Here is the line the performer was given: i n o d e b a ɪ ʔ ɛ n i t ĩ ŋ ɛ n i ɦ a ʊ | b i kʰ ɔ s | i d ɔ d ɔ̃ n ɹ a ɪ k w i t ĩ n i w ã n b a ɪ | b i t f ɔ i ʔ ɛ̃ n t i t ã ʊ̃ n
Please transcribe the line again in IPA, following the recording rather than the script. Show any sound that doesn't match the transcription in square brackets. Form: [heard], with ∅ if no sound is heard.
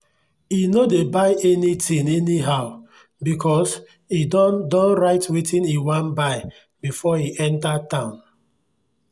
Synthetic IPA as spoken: i n o d e b a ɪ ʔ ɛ n i t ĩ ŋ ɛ n i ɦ a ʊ | b i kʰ ɔ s | i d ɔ d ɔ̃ n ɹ a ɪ [t] w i t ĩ n i w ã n b a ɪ | b i [∅] f ɔ i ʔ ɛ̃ n t [a] t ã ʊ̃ n

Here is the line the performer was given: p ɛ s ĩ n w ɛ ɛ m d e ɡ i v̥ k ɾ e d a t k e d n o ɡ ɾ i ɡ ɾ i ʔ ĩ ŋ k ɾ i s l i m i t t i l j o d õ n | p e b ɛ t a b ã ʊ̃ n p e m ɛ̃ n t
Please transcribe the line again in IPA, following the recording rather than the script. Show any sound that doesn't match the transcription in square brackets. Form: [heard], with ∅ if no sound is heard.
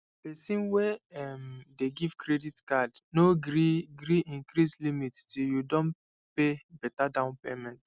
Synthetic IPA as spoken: p ɛ s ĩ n w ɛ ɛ m d e ɡ i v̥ k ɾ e d [i] t k [a] d n o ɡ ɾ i ɡ ɾ i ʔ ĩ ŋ k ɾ i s l i m i t t i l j [u] d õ n | p e b ɛ t a [d] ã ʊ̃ n p e m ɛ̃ n t

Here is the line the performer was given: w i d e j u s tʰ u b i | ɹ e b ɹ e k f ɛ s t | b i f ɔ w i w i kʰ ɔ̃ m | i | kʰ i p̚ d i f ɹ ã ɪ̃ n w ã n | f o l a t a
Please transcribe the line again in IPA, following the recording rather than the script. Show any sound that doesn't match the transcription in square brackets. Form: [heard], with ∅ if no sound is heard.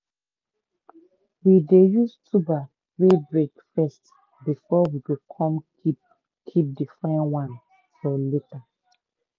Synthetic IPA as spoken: w i d e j u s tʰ u b [a] | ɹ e b ɹ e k f ɛ s t | b i f ɔ w i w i kʰ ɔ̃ m | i | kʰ i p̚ d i f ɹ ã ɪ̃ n w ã n | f [ɔ] l [e] t a

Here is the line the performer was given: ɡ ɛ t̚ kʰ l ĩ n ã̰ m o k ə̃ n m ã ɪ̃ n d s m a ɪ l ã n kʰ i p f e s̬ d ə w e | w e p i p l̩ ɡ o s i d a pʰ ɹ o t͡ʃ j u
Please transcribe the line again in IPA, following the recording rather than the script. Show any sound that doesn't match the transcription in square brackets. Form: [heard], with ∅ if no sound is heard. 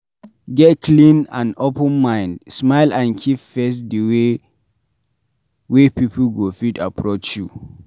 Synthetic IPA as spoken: ɡ ɛ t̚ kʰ l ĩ n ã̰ [n] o [p] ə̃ n m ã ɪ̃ n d s m a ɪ l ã n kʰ i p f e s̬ d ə w e | w e p i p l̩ ɡ o [f] i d a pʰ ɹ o t͡ʃ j u

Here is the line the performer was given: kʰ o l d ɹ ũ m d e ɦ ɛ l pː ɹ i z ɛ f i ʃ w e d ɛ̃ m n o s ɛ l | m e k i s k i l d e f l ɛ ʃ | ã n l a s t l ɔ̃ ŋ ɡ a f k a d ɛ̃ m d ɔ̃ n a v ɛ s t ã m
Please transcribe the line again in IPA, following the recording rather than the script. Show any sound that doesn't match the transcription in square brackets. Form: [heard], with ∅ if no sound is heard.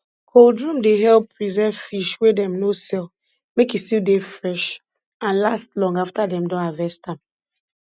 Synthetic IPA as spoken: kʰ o l d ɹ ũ m d e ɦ ɛ l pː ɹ i z ɛ f i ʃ w e d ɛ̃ m n o s ɛ l | m e k i s [t] i l d e f [ɹ] ɛ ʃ | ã n l a s t l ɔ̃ ŋ ɡ a f [t] a d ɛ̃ m d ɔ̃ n a v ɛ s t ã m

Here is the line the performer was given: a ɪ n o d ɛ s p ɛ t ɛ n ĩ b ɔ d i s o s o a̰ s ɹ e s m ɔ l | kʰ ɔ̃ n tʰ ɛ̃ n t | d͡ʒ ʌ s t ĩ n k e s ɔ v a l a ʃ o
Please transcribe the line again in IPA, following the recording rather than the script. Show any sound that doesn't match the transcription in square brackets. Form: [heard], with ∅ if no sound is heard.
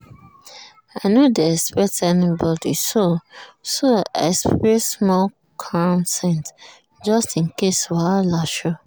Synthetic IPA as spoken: a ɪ n o d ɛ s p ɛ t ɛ n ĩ b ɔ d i s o s o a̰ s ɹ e s m ɔ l | kʰ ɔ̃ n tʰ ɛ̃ n t | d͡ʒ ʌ s t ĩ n k e s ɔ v a l a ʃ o

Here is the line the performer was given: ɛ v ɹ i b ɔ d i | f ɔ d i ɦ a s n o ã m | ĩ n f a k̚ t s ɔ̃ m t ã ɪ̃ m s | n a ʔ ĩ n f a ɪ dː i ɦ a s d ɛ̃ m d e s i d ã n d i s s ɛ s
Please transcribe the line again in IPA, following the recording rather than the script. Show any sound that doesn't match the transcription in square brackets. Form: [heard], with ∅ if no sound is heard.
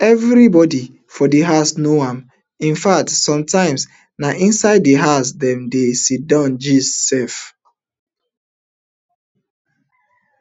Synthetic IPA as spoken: ɛ v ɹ i b ɔ d i | f ɔ d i ɦ a s n o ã m | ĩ n f a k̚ t s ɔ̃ m t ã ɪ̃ m s | n a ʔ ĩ n [s] a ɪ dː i ɦ a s d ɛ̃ m d e s i d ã n [d͡ʒ] i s s ɛ [f]

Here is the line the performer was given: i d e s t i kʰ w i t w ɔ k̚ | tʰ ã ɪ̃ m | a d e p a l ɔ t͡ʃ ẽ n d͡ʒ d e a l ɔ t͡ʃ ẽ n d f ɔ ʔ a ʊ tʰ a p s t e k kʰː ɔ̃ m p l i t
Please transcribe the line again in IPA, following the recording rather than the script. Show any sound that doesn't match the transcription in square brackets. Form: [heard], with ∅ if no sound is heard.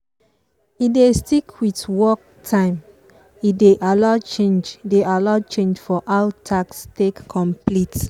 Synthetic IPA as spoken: i d e s t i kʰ w i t w ɔ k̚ | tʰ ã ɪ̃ m | [i] d e [ʔ] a l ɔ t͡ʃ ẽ n d͡ʒ d e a l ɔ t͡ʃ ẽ n [d͡ʒ] f ɔ ʔ a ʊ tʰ a [k] s t e k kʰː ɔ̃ m p l i t

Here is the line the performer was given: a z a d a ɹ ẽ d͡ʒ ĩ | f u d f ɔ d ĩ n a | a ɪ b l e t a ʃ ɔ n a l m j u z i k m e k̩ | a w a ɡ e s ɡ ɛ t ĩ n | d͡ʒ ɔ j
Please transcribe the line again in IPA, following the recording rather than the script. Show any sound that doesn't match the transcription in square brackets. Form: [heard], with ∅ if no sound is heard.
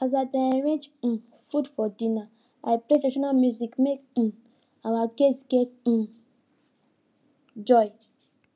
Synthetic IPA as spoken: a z a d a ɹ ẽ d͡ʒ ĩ | f u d f ɔ d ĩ n a | a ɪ [p] l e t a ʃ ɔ n a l m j u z i k m e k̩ | a w a ɡ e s ɡ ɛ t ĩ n | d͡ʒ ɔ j

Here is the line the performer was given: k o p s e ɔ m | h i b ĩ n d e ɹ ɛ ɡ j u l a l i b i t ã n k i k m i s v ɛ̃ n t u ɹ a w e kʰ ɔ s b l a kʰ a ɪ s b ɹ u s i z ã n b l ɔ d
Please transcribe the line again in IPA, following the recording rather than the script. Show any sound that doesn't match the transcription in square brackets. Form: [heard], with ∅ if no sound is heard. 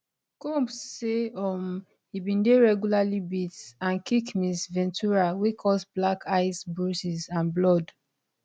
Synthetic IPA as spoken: k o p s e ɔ m | h i b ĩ n d e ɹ ɛ ɡ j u l a l i b i t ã n k i k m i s v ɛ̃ n t u ɹ a w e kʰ ɔ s b l a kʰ a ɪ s b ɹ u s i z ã n b l ɔ d

